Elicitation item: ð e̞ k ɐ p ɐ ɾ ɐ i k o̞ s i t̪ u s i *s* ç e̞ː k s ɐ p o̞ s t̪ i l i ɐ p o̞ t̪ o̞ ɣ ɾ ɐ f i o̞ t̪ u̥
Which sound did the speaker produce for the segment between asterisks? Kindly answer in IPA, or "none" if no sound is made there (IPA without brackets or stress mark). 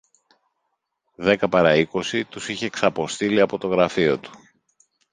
none